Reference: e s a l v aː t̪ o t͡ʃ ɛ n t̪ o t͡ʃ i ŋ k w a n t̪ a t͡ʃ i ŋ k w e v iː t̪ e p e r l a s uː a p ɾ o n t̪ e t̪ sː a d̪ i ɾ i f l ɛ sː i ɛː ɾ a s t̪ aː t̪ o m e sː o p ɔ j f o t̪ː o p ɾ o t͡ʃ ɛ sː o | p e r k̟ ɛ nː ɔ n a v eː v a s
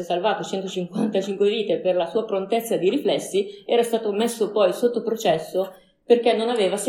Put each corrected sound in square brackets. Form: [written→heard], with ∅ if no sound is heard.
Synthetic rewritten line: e s a l v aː t̪ o t͡ʃ ɛ n t̪ o t͡ʃ i ŋ k w a n t̪ a t͡ʃ i ŋ k w e v iː t̪ e p e r l a s uː a p ɾ o n t̪ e t̪ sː a d̪ i ɾ i f l ɛ sː i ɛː ɾ a s t̪ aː t̪ o m e sː o p ɔ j [f→s] o t̪ː o p ɾ o t͡ʃ ɛ sː o | p e r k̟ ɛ nː [ɔ→o] n a v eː v a s